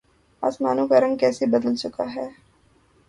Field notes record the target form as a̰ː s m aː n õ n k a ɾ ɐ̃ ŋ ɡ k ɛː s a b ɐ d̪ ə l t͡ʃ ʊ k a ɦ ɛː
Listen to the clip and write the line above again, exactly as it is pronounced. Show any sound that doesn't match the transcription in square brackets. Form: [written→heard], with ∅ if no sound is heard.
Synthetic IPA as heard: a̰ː s m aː n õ [n→∅] k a ɾ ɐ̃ ŋ ɡ k ɛː s [a→e] b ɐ d̪ ə l t͡ʃ ʊ k a ɦ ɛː